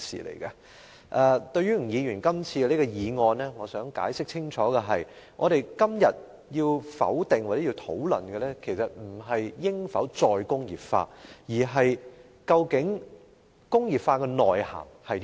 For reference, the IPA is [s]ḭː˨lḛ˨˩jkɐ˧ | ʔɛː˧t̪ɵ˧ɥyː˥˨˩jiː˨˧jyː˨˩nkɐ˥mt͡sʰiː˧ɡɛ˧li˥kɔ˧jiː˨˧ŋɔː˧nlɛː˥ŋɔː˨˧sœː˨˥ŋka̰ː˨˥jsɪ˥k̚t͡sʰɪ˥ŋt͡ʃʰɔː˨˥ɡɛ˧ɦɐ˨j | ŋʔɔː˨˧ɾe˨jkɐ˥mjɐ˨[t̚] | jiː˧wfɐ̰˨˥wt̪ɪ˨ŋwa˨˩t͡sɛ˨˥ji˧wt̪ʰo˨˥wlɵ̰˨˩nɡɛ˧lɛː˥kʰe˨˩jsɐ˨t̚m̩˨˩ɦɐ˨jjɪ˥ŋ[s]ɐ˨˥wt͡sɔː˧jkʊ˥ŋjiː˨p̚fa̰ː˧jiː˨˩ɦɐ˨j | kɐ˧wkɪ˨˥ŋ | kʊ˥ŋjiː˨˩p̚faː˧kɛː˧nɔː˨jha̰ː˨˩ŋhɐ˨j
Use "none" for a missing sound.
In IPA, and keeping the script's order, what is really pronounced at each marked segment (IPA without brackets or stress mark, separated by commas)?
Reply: s, t̚, f